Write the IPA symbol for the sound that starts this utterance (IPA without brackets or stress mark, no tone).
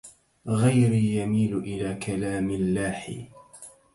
ɣ